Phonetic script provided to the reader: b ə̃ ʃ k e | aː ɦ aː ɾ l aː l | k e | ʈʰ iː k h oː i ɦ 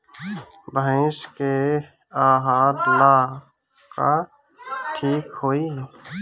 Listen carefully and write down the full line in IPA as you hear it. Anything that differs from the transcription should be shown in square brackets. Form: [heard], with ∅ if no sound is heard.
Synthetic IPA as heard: b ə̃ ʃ k e | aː ɦ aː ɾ l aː [∅] | k [a] | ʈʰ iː k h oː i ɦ